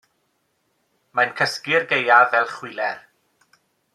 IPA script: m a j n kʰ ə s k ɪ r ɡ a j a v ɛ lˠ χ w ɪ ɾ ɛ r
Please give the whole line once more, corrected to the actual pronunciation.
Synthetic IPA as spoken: m a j n kʰ ə s k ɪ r ɡ e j a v ɛ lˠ χ w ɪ l ɛ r